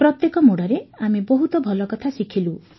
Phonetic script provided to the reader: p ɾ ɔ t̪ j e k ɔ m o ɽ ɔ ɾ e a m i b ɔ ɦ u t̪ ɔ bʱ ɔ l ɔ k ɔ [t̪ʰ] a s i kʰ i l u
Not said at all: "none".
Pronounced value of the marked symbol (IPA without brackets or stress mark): t̪ʰ